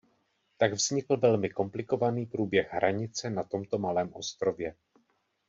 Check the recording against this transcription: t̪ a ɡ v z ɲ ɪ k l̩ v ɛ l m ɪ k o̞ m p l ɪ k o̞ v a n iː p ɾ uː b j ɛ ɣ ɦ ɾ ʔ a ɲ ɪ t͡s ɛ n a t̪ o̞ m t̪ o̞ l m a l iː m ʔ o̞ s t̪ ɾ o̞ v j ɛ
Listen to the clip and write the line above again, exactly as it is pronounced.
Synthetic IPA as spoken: t̪ a ɡ v z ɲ ɪ k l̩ v ɛ l m ɪ k o̞ m p l ɪ k o̞ v a n iː p ɾ uː b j ɛ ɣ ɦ ɾ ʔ a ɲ ɪ t͡s ɛ n a t̪ o̞ m t̪ o̞ m a l ɛː m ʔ o̞ s t̪ ɾ o̞ v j ɛ